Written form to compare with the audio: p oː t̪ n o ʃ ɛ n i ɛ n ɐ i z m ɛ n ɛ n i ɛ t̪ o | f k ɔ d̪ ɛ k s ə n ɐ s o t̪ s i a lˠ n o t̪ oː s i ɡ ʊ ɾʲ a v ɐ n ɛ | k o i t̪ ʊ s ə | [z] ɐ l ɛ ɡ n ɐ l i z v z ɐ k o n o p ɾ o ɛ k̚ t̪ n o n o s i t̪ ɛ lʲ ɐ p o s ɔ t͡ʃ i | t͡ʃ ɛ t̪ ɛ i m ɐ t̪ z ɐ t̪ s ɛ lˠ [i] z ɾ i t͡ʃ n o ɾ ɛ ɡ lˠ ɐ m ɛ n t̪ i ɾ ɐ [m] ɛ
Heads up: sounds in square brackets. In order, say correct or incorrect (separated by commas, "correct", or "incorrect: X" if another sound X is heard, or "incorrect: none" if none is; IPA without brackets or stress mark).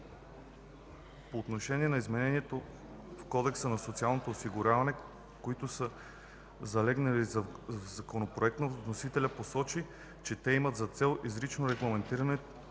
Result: correct, correct, incorrect: n